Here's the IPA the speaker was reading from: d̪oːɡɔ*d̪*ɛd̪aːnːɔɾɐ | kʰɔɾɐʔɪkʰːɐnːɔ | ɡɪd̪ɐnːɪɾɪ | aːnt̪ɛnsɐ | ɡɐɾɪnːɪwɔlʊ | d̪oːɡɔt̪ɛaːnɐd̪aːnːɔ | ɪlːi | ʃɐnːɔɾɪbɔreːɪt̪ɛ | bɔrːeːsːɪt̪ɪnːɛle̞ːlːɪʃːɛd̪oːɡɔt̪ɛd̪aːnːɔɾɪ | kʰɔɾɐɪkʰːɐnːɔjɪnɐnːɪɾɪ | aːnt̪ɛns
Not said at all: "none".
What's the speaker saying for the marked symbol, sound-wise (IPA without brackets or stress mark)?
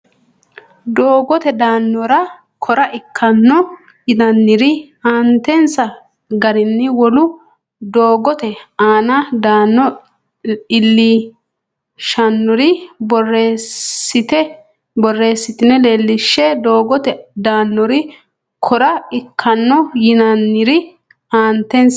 t̪